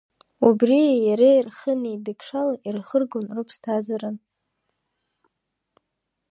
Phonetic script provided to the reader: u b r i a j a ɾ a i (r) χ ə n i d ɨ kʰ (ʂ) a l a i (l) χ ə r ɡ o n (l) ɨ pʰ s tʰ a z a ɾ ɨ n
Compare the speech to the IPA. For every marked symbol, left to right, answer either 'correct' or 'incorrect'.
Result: correct, correct, incorrect, incorrect

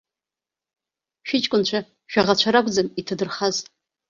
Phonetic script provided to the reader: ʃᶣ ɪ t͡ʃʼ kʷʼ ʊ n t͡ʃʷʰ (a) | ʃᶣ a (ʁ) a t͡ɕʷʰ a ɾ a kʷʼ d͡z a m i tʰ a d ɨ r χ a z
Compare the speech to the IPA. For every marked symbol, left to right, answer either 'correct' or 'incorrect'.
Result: correct, correct

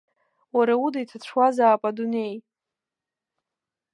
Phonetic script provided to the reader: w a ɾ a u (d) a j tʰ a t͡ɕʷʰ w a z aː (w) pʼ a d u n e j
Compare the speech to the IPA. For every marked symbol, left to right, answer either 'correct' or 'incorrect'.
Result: correct, incorrect

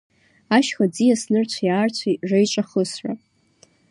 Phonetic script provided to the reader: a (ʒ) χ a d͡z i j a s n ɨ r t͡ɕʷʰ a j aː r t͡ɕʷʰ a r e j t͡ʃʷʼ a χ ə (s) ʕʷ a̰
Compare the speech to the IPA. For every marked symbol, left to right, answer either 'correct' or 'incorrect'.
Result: incorrect, correct

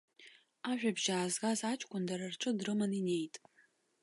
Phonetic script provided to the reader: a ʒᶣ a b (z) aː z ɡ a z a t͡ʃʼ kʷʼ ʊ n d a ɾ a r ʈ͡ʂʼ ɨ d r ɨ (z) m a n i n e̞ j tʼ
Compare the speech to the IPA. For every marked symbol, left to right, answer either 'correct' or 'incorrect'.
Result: incorrect, incorrect

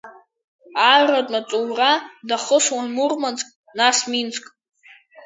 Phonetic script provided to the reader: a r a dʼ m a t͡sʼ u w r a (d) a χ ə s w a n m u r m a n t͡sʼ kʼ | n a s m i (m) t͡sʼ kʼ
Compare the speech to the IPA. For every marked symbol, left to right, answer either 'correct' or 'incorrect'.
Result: correct, incorrect

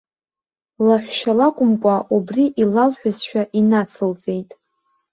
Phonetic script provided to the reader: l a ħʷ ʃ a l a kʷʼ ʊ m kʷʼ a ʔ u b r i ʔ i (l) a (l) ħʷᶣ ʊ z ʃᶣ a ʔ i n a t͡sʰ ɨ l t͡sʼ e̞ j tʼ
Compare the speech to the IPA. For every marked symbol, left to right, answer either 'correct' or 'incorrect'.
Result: correct, correct

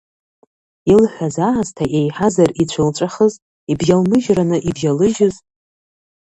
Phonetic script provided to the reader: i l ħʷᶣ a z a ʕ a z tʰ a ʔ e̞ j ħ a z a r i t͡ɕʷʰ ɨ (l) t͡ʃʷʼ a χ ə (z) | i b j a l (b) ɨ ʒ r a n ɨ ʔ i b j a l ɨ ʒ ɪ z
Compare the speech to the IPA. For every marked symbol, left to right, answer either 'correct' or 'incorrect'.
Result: correct, correct, incorrect

